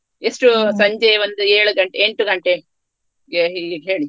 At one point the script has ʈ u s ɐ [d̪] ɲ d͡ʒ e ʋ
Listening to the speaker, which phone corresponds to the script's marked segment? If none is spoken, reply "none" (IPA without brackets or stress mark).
none